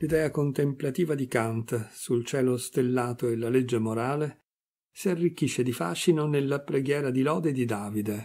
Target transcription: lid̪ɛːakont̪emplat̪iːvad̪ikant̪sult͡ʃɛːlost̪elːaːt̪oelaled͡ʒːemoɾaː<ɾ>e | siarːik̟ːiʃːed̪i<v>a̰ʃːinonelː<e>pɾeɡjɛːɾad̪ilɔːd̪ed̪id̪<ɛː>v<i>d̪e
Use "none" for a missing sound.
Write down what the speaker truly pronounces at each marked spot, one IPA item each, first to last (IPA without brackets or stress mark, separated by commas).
l, f, a, aː, i